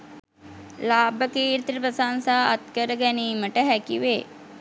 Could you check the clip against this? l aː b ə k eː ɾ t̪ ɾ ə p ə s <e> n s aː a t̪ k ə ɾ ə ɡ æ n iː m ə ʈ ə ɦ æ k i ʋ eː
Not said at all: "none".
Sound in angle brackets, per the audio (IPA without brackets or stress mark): a